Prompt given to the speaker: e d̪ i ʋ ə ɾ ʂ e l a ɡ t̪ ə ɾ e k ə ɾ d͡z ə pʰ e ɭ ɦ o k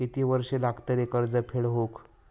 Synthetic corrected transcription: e t̪ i ʋ ə ɾ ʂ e l a ɡ t̪ ə ɾ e k ə ɾ d͡z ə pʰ e ɭ ɦ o k